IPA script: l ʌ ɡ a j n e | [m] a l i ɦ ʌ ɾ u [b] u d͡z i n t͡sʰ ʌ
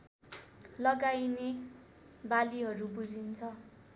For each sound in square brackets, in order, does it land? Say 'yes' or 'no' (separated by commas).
no, yes